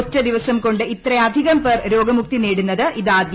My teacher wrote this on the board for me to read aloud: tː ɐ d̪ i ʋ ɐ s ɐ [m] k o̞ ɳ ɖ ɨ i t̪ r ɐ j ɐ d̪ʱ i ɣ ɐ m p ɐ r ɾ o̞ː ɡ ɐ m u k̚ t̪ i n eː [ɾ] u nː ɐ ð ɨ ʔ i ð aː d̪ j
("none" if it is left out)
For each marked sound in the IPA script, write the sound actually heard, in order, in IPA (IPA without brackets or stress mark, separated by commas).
m, ɽ